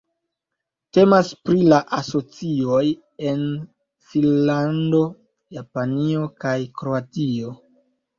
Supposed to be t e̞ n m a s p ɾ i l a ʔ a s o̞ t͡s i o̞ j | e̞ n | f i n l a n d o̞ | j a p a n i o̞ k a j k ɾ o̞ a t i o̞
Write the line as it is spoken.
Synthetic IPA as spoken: t e̞ m a s p ɾ i l a ʔ a s o̞ t͡s i o̞ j | e̞ n | f i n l a n d o̞ | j a p a n i o̞ k a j k ɾ o̞ a t i o̞